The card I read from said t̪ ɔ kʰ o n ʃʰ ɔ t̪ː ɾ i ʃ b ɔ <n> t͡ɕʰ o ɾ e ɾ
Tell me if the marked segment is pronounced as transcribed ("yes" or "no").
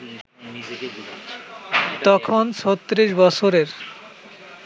no